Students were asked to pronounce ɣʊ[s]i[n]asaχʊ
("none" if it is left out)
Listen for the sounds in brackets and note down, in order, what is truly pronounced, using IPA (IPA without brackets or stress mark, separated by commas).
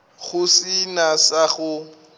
s, n